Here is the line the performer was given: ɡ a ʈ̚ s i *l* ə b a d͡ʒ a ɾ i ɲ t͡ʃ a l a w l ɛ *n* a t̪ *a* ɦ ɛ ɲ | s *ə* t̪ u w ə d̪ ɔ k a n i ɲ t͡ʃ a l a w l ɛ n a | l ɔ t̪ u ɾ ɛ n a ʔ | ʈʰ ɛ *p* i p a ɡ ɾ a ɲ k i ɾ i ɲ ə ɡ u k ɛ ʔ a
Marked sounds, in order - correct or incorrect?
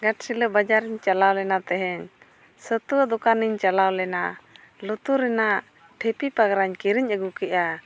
correct, correct, incorrect: ɛ, correct, correct

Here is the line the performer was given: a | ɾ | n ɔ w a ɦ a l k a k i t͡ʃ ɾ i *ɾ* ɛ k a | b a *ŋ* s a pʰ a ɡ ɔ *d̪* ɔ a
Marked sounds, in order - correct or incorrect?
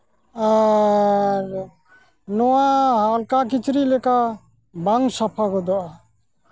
incorrect: l, correct, correct

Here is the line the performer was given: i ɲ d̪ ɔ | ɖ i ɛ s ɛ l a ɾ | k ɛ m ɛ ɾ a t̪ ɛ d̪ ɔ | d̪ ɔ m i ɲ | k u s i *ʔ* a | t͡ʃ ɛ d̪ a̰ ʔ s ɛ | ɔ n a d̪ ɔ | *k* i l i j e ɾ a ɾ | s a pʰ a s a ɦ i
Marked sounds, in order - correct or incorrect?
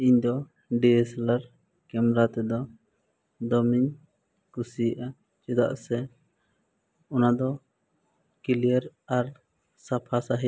correct, correct

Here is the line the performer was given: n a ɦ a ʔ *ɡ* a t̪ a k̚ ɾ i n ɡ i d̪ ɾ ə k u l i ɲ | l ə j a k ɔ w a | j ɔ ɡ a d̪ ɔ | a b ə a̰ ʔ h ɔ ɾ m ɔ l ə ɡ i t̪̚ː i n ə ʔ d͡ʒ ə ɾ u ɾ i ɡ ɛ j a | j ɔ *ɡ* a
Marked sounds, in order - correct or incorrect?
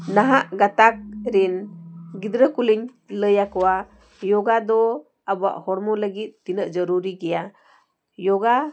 correct, correct

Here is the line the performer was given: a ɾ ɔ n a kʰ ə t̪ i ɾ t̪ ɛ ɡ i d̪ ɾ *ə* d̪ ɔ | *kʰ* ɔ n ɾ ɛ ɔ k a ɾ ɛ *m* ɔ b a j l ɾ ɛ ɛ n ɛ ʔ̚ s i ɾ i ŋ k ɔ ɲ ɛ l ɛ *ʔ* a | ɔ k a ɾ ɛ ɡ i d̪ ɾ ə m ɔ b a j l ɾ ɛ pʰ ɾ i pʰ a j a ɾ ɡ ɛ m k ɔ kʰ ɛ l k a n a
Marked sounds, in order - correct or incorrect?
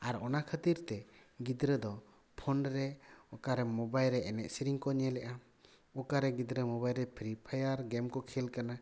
correct, incorrect: pʰ, correct, correct

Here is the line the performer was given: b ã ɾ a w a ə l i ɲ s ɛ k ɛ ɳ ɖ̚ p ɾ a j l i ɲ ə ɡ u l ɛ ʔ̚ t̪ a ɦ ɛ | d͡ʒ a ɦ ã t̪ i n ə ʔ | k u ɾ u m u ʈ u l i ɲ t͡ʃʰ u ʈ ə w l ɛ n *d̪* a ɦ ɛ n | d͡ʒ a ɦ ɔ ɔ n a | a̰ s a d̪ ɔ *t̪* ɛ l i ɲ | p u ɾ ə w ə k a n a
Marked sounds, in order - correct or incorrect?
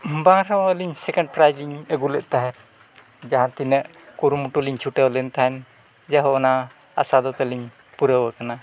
incorrect: t̪, correct

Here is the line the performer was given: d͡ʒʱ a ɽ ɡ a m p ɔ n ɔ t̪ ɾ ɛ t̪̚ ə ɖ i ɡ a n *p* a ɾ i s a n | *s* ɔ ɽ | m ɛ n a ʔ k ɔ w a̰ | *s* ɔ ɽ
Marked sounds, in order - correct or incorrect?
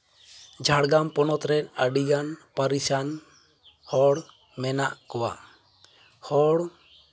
correct, incorrect: h, incorrect: h

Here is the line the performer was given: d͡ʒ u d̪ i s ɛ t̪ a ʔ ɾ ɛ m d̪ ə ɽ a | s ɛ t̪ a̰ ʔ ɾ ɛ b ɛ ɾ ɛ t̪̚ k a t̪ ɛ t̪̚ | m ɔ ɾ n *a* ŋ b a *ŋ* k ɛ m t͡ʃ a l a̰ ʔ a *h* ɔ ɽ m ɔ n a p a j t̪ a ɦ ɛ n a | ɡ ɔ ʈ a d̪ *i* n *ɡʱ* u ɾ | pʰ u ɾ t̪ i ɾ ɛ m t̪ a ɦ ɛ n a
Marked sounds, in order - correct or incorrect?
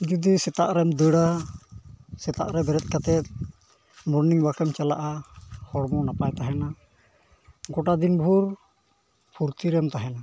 incorrect: i, incorrect: none, correct, correct, incorrect: bʱ

